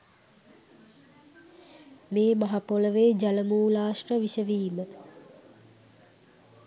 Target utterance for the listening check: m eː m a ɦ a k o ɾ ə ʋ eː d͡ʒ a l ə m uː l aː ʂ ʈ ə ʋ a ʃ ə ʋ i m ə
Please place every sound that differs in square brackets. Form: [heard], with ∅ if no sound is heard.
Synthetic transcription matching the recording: m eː m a ɦ a [p] o [l] ə ʋ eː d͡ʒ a l ə m uː l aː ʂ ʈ ə ʋ [i] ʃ ə ʋ [iː] m ə